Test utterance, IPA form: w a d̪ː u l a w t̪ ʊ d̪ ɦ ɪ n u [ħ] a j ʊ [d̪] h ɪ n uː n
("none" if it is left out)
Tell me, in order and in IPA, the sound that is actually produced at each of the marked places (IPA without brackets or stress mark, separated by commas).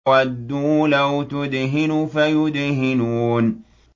f, d̪